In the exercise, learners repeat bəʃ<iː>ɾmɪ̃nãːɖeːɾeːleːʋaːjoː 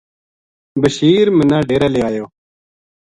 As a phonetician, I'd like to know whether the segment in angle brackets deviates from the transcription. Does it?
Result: no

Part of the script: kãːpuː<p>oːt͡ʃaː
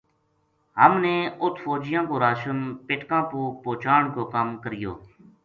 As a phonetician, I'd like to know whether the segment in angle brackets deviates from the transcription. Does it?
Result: no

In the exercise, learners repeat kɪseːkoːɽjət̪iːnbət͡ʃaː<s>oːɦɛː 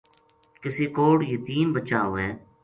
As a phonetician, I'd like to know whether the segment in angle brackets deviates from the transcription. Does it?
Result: yes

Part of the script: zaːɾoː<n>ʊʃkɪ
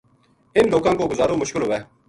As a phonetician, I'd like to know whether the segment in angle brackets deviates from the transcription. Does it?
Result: yes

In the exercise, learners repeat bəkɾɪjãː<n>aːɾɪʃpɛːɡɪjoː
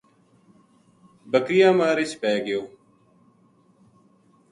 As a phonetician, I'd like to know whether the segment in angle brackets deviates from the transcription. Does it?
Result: yes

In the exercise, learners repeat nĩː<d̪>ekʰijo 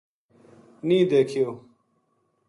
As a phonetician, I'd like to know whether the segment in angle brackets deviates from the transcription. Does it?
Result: no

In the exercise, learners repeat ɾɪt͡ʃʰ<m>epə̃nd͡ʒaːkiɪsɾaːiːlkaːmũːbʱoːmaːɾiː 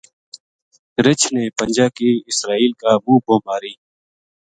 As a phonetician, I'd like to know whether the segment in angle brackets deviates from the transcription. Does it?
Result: yes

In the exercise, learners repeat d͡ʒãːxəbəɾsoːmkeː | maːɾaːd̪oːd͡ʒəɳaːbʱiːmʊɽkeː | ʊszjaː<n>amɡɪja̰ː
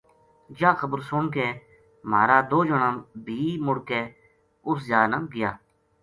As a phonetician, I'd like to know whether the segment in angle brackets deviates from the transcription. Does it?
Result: no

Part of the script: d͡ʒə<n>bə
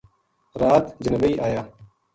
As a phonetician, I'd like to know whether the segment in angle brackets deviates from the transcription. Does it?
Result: no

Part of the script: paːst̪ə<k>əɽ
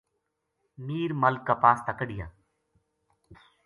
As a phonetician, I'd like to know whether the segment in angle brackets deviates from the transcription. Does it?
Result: no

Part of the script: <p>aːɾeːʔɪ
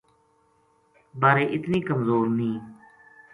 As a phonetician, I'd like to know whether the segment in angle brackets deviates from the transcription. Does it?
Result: yes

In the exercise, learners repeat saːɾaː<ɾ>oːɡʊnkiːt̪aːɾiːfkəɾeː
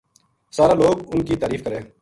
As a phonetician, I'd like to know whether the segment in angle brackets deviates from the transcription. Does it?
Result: yes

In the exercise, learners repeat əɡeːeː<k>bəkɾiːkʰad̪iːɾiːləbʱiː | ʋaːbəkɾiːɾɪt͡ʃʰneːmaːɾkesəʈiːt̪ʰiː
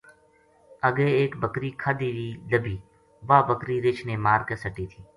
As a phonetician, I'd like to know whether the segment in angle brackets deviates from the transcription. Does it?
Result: no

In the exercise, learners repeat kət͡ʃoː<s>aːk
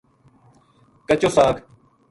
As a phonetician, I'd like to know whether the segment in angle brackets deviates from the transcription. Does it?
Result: no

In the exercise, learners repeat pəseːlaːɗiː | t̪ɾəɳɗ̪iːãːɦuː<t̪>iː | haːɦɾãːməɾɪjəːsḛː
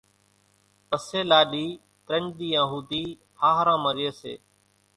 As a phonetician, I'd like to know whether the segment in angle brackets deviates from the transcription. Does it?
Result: yes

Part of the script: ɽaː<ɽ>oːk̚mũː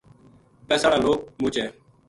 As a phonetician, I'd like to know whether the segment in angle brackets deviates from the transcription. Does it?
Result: yes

